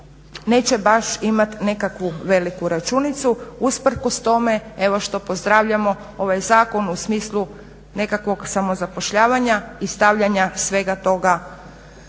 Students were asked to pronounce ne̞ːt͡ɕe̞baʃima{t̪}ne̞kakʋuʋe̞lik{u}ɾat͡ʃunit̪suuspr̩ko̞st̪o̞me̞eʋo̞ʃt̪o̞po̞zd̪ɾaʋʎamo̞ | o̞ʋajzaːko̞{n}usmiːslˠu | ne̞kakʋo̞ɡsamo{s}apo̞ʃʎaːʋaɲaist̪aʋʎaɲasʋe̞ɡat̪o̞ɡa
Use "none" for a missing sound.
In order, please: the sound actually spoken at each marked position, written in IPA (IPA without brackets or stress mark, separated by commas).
t̪, u, n, z